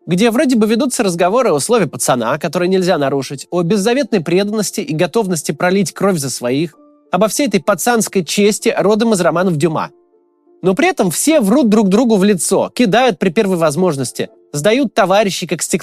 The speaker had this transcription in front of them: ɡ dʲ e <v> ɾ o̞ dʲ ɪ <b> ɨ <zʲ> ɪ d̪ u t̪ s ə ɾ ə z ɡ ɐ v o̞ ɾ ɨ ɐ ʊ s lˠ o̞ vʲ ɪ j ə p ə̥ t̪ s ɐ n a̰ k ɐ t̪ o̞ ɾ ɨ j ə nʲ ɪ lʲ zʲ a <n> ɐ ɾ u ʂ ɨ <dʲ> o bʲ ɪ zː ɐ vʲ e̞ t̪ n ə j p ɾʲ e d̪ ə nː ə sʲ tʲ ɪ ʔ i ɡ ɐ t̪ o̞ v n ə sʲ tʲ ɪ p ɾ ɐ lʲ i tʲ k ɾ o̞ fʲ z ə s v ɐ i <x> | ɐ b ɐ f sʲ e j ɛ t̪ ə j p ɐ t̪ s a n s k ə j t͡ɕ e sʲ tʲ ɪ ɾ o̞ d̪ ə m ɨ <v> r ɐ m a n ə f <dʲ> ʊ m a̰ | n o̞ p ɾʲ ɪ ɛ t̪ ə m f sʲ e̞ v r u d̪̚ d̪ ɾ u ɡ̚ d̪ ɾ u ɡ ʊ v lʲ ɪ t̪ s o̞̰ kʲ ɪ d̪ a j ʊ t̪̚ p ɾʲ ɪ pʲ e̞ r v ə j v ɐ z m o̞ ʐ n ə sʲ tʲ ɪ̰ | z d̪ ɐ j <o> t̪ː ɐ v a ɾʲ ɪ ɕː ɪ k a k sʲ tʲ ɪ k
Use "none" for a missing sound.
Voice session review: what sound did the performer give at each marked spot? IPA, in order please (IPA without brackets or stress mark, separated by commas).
v, b, vʲ, n, tʲ, x, z, dʲ, u